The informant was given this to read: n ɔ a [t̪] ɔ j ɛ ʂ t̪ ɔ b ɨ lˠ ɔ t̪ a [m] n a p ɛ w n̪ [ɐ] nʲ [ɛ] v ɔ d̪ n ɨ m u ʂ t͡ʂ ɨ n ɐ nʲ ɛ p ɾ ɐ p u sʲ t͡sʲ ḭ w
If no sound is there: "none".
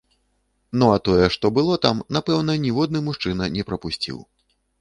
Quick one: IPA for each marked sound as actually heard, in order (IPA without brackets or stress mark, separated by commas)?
t̪, m, ɐ, i